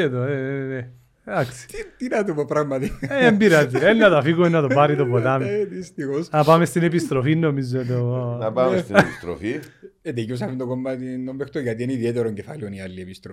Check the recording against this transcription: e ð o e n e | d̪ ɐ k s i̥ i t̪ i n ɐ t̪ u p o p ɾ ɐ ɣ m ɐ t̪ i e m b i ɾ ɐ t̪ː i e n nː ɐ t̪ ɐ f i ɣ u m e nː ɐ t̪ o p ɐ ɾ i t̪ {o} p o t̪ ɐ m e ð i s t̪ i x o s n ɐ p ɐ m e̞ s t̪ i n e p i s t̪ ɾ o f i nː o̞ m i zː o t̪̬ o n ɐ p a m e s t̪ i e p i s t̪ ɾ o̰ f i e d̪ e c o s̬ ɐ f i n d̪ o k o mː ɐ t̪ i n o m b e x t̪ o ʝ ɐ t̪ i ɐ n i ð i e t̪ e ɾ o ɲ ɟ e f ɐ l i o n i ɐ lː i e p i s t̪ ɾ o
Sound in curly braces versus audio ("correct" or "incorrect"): correct